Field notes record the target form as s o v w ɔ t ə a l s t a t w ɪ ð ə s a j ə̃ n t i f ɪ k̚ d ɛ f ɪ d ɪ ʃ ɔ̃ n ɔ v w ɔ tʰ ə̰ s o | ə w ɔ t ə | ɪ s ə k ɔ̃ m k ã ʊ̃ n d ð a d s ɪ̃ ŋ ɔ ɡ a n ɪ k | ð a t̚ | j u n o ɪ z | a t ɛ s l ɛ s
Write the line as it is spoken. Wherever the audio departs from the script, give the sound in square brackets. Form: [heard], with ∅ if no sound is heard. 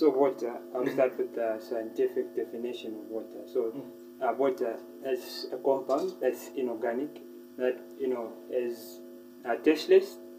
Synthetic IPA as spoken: s o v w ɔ t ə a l s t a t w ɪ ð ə s a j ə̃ n t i f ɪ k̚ d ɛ f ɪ [n] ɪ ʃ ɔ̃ n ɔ v w ɔ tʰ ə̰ s o | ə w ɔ t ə | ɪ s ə k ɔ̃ m [p] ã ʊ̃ n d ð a [t] s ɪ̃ [n] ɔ ɡ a n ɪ k | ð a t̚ | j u n o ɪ z | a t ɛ s l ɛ s